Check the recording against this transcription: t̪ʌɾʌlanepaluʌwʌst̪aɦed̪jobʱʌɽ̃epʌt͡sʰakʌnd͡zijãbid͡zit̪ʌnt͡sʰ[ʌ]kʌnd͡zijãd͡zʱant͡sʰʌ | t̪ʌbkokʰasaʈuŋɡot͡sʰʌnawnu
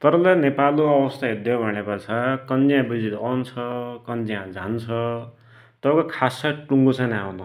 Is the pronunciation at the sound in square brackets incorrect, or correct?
correct